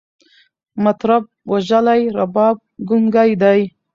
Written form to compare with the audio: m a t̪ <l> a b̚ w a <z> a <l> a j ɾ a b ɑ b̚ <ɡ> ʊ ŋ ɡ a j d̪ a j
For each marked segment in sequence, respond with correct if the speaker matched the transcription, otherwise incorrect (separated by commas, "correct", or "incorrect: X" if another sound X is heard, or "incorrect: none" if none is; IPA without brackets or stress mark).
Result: incorrect: ɾ, incorrect: ʒ, correct, correct